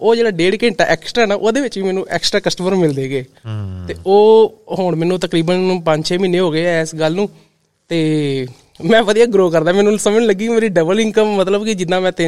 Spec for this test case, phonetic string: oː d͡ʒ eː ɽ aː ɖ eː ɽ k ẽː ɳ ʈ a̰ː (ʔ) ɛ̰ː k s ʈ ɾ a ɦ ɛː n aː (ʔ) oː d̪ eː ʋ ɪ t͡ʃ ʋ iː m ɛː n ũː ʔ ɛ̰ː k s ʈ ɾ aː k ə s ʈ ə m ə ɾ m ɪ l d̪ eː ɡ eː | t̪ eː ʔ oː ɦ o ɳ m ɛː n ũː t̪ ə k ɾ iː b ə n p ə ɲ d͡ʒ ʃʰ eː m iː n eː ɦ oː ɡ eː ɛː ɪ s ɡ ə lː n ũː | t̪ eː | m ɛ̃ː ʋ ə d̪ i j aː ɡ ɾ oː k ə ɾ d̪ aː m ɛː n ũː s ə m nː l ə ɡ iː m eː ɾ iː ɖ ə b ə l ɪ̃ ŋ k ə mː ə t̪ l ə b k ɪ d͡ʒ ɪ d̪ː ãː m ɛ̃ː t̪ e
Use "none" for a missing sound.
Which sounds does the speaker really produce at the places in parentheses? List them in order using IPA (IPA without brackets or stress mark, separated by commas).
ʔ, ʔ